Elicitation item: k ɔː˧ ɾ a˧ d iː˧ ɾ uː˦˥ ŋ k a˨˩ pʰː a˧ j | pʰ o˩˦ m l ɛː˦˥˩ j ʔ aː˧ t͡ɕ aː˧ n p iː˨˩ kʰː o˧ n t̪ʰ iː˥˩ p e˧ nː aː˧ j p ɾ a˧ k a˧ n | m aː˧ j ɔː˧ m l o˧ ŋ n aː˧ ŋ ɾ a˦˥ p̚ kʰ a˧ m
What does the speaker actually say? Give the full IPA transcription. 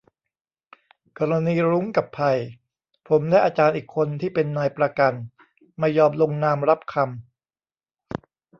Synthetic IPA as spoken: k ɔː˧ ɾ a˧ n iː˧ ɾ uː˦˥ ŋ k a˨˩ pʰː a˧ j | pʰ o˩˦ m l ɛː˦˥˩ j ʔ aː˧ t͡ɕ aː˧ n ʔ iː˨˩ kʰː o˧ n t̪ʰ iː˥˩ p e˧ nː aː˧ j p ɾ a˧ k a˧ n | m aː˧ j ɔː˧ m l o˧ ŋ n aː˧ m ɾ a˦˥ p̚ kʰ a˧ m